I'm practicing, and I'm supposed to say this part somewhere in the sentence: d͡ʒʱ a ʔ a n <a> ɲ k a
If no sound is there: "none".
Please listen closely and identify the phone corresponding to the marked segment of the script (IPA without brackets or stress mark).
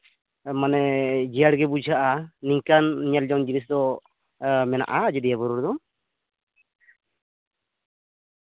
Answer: i